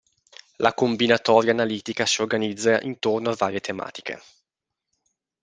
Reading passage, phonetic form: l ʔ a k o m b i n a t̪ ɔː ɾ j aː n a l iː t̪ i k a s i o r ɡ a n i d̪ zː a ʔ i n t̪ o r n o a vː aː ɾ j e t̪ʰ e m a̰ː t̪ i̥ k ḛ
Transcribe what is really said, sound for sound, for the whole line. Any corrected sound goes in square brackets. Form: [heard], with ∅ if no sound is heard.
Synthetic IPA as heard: l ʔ a k o m b i n a t̪ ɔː ɾ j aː n a l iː t̪ i k a s i o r ɡ a n i d̪ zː a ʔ i n t̪ o r n o a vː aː ɾ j e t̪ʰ e m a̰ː t̪ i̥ k ḛ